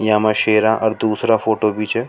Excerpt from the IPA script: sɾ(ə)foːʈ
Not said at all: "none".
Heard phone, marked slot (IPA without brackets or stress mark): a